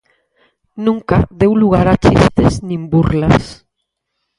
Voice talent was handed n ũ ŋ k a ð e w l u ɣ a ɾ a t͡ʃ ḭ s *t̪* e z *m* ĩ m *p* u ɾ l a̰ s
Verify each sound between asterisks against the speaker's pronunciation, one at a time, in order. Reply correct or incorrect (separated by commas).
correct, incorrect, incorrect